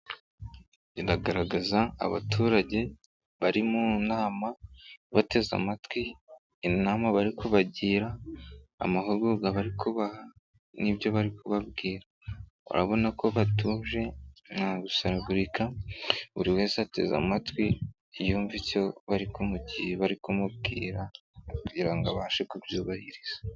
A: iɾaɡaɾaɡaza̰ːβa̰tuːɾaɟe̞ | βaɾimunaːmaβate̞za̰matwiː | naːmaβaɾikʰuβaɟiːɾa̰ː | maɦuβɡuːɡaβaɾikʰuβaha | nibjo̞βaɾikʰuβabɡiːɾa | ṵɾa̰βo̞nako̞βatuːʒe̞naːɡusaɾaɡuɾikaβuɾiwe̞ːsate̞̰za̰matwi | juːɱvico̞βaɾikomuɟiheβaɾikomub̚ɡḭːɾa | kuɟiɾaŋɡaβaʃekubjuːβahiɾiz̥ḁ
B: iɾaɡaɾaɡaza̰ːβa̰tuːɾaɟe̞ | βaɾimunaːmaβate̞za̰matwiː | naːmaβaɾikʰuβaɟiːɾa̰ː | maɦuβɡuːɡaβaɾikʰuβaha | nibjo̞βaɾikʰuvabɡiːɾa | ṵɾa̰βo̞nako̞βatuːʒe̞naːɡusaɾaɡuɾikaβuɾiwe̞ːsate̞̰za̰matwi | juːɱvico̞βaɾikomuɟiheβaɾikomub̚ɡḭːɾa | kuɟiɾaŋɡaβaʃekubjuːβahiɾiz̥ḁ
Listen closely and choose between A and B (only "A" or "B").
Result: A